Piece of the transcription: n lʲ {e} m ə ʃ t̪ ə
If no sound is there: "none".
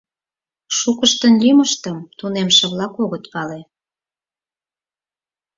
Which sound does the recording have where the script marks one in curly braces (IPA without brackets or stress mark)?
i